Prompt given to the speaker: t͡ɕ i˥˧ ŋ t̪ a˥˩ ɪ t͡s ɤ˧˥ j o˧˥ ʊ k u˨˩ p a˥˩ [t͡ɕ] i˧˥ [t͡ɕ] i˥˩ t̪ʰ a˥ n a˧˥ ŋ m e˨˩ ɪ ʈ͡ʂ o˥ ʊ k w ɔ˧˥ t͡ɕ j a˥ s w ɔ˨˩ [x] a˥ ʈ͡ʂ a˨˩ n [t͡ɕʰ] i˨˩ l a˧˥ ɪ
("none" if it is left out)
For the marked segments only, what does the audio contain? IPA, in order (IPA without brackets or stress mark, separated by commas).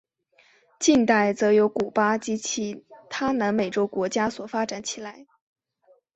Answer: t͡ɕ, t͡ɕʰ, f, t͡ɕʰ